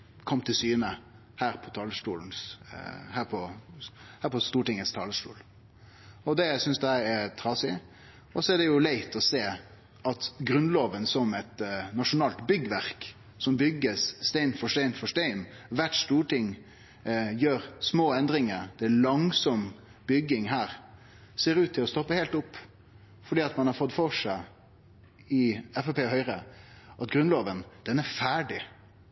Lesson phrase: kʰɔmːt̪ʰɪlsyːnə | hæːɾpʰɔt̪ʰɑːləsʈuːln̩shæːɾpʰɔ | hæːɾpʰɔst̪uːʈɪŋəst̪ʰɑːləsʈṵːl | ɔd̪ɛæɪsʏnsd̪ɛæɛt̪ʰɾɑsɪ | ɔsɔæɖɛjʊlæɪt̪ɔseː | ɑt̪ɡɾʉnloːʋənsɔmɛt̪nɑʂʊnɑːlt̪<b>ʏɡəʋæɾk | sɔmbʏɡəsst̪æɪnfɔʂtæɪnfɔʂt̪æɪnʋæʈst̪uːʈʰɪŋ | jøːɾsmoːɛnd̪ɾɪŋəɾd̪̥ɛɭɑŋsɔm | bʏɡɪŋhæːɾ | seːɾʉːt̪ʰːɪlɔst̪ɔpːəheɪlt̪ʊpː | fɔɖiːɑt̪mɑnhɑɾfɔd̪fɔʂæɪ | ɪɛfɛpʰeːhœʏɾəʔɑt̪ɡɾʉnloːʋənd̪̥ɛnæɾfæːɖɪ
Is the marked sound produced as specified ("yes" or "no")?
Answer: yes